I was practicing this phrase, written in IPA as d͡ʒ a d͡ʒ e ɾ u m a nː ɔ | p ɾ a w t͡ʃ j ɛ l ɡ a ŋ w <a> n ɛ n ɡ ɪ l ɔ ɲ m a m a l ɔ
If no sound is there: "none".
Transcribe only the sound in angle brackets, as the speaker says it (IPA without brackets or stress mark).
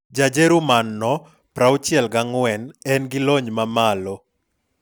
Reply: ɛ